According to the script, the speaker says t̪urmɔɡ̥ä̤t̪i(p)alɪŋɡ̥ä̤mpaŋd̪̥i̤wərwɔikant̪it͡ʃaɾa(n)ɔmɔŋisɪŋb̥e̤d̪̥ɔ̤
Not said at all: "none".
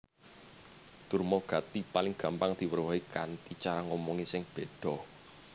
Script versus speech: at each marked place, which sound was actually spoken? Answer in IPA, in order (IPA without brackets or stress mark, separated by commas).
p, ŋ